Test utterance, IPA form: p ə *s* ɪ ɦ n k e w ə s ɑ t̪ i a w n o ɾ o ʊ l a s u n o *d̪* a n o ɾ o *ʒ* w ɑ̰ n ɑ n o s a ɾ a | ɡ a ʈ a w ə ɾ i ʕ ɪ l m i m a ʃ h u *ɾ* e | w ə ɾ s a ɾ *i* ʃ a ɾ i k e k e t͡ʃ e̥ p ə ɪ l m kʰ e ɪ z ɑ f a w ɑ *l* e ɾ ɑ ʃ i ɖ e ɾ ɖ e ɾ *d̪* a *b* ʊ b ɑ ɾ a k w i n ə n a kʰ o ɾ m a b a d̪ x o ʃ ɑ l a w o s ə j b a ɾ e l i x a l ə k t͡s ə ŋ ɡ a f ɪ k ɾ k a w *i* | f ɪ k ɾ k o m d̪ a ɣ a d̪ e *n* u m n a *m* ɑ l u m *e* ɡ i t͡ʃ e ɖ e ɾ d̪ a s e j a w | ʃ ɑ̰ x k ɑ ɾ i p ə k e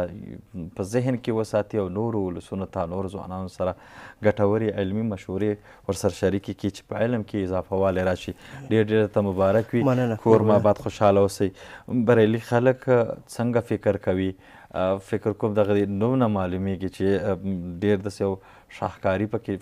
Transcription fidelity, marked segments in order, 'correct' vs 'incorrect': incorrect: z, incorrect: t̪, incorrect: z, correct, incorrect: a, correct, incorrect: t̪, incorrect: m, correct, correct, correct, correct

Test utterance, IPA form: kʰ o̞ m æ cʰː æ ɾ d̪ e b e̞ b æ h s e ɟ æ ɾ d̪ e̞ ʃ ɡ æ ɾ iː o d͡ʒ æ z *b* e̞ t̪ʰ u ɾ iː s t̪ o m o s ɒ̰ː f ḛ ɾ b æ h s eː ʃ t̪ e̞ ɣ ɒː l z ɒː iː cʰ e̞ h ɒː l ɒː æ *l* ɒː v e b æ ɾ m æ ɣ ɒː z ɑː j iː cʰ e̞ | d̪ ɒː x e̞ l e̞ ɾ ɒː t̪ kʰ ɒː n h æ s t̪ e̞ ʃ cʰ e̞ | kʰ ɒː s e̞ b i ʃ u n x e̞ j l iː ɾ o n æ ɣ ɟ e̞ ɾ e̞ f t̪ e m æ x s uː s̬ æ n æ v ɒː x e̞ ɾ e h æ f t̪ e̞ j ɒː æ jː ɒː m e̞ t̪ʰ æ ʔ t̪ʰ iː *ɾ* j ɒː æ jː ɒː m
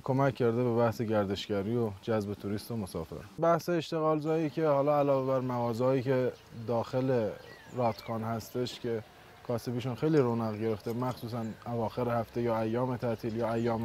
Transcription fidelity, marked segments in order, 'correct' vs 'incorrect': correct, correct, incorrect: l

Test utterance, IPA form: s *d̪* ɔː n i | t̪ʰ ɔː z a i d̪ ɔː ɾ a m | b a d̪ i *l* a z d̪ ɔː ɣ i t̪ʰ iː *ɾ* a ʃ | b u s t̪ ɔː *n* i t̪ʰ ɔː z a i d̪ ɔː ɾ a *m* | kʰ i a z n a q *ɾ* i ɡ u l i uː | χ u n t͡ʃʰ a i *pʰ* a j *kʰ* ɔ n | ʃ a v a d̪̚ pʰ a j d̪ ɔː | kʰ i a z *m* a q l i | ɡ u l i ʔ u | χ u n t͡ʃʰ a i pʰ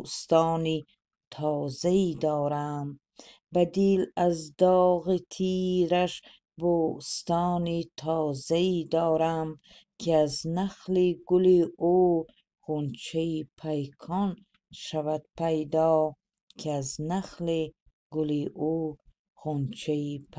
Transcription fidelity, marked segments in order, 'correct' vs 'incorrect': incorrect: t̪, correct, correct, correct, correct, incorrect: l, correct, correct, incorrect: n

